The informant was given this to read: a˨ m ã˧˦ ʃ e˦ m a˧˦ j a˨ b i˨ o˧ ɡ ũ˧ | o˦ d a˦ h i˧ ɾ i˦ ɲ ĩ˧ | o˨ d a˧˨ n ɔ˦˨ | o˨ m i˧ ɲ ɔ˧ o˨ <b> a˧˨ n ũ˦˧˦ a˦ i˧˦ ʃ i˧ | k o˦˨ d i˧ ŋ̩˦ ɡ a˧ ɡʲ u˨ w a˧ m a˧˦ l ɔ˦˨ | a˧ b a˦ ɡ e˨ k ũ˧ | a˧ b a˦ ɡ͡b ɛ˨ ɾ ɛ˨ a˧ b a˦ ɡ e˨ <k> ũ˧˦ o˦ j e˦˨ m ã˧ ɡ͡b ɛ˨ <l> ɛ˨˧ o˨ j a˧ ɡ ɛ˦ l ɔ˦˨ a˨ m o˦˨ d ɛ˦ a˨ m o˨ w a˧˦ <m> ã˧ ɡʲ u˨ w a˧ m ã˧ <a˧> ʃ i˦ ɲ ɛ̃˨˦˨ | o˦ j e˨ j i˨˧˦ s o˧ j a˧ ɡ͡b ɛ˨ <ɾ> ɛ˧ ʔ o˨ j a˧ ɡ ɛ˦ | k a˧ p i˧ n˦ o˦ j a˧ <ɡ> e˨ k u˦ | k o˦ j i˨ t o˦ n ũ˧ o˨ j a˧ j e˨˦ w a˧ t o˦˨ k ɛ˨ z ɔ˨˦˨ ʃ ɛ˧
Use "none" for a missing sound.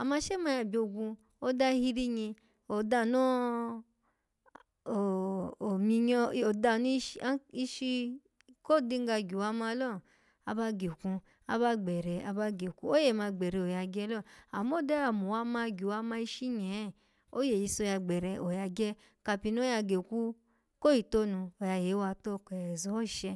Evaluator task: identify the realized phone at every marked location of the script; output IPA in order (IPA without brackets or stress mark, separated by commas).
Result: d, k, ɾ, m, i˧, ɾ, ɡ